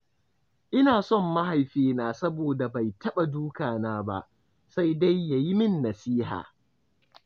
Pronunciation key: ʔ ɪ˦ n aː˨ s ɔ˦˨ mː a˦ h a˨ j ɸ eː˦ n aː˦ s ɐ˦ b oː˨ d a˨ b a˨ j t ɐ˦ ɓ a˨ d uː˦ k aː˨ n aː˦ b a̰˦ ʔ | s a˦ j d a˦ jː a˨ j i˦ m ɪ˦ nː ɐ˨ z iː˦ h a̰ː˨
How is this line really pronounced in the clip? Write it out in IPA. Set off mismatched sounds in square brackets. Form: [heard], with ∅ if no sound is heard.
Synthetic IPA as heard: ʔ ɪ˦ n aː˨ s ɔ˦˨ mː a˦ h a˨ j ɸ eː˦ n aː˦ s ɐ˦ b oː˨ d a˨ b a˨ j t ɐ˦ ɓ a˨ d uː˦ k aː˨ n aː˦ b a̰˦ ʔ | s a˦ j d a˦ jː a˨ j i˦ m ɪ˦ nː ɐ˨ [s] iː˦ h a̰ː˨